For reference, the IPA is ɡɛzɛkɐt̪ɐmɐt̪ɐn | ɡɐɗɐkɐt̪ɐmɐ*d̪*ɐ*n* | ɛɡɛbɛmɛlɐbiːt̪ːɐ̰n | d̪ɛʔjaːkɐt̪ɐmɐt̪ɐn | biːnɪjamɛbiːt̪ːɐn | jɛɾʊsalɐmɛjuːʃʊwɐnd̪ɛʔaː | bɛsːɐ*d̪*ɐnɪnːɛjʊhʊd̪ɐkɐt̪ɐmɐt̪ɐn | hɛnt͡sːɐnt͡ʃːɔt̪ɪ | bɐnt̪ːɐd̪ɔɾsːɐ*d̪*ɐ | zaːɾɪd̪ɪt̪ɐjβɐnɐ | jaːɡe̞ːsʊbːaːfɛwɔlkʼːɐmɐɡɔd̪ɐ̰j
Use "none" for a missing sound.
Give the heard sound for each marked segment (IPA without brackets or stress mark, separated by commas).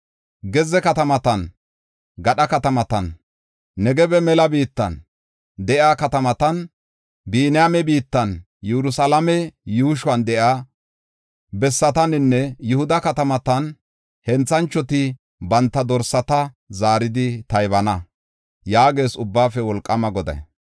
t̪, nː, t̪, t̪